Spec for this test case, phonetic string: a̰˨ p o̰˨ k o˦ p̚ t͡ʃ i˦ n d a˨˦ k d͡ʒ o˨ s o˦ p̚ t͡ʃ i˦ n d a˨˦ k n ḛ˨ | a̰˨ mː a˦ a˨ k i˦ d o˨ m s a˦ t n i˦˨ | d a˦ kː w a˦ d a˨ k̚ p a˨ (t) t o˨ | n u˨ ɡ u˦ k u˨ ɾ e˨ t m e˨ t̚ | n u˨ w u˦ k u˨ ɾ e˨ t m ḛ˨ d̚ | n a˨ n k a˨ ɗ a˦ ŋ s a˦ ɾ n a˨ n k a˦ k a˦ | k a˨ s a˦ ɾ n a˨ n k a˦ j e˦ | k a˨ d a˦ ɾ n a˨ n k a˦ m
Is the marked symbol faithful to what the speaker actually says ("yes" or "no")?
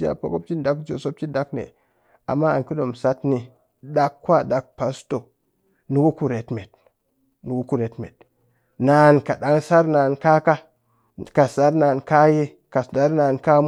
no